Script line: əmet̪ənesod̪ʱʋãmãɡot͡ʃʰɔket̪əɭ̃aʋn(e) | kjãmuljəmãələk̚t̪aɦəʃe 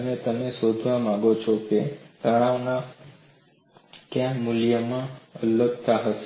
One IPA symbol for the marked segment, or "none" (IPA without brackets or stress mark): a